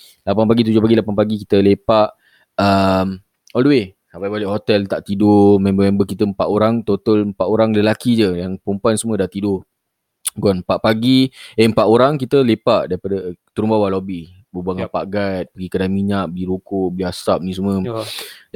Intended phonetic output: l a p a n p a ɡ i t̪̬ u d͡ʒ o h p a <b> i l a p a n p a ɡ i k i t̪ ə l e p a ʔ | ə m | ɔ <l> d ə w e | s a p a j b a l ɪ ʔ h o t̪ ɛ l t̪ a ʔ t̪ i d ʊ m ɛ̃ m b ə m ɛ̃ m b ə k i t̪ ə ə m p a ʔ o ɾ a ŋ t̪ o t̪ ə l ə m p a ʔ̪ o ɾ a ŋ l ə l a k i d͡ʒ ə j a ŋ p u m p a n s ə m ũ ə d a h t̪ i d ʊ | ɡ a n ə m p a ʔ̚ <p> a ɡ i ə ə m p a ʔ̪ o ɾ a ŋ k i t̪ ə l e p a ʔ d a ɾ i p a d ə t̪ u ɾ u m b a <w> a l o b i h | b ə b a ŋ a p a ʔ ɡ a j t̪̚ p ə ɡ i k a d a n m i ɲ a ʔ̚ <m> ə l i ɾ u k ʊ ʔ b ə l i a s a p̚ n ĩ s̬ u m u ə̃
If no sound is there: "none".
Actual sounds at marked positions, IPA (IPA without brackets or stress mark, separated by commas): ɡ, l, p, w, b